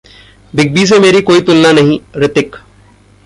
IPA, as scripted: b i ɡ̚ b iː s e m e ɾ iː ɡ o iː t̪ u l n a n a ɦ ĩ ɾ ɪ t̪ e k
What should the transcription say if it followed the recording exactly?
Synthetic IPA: b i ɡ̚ b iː s e m e ɾ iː k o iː t̪ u l n a n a ɦ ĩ ɾ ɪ t̪ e k